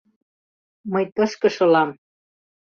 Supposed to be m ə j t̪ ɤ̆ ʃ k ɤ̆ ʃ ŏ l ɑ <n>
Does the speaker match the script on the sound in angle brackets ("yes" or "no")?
no